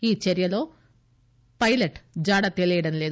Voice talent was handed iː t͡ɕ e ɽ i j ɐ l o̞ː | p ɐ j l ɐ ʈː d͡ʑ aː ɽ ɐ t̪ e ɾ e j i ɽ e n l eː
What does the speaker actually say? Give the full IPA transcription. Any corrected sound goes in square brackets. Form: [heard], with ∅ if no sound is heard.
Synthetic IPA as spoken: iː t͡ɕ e [ɾ] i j ɐ l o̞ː | p ɐ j l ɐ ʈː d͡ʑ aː ɽ ɐ t̪ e [l] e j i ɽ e n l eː